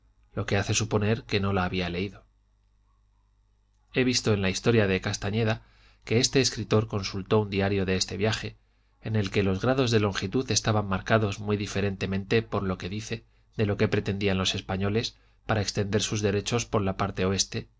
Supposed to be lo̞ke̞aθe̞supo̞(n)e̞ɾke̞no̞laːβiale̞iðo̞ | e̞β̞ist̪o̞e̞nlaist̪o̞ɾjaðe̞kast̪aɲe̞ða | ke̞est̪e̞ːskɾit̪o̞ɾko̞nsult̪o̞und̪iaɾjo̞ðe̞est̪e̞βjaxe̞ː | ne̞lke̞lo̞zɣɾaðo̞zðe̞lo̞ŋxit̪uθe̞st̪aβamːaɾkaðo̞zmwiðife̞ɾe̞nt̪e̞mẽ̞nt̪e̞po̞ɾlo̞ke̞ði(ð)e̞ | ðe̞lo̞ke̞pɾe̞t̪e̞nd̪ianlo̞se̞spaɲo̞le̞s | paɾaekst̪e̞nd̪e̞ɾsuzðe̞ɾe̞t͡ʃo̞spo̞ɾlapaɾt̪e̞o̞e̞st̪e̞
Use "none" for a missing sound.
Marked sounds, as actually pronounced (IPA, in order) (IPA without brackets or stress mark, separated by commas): n, θ